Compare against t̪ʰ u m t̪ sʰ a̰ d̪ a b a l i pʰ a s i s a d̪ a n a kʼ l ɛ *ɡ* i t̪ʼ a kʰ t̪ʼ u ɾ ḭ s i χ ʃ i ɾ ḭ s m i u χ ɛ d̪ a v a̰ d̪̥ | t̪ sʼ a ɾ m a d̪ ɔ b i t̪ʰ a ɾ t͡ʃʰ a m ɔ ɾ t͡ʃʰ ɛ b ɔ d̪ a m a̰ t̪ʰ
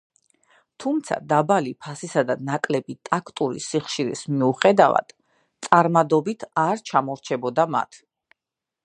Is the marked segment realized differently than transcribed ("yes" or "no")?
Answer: yes